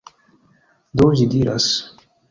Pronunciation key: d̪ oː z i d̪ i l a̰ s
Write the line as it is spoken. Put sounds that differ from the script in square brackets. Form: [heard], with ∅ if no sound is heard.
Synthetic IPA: d̪ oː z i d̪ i [ɾ] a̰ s